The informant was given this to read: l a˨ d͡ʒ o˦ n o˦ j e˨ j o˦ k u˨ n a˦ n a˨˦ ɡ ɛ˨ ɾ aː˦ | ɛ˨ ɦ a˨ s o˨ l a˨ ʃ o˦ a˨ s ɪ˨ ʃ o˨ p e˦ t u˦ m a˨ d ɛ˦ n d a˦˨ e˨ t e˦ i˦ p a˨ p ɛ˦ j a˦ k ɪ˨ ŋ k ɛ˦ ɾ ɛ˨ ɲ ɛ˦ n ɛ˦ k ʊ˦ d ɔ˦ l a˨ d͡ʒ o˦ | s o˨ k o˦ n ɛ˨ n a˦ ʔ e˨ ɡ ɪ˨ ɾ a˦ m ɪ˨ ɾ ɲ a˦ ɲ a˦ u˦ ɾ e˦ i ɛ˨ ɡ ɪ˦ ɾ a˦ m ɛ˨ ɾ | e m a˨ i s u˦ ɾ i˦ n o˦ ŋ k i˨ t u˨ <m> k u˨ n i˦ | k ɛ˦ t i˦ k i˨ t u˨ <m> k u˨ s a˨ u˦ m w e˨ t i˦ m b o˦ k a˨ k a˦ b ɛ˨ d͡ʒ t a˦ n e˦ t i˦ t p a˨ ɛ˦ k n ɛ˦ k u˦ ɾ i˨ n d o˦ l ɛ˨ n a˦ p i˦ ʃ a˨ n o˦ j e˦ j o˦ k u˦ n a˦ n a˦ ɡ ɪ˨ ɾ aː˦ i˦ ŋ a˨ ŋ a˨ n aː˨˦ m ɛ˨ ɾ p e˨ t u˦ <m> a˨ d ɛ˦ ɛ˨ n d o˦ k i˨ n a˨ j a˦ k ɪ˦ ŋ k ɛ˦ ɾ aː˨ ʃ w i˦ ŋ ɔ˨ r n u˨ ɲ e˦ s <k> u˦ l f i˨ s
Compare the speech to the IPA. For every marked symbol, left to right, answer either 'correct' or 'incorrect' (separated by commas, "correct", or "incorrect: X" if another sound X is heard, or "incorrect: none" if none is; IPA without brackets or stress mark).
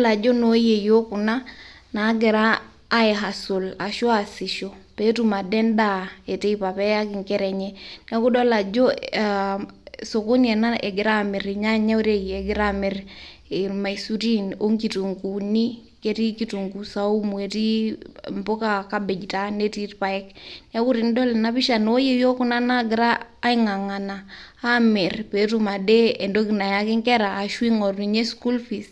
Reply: incorrect: ŋ, incorrect: ŋ, correct, correct